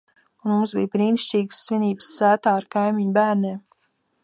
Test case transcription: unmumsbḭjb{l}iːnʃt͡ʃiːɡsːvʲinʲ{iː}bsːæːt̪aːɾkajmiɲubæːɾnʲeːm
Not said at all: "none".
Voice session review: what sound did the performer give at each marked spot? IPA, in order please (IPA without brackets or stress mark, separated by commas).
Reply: ɾ, iː